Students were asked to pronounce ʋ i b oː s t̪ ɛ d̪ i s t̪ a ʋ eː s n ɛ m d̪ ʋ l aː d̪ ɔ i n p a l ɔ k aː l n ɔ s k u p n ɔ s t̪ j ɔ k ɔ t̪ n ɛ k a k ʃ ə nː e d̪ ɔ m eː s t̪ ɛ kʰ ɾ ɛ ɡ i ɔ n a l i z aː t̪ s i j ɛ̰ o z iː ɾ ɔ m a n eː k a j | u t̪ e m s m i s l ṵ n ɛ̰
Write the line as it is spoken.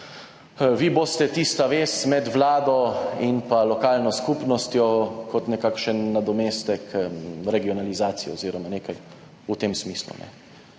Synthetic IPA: ʋ i b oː s t̪ ɛ t̪ i s t̪ a ʋ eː s m ɛ d̪ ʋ l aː d̪ ɔ i n p a l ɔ k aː l n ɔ s k u p n ɔ s t̪ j ɔ k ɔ t̪ n ɛ k a k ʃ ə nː a d̪ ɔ m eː s t̪ ɛ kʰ ɾ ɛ ɡ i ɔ n a l i z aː t̪ s i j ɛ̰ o z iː ɾ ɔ m a n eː k a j | u t̪ e m s m i s l ṵ n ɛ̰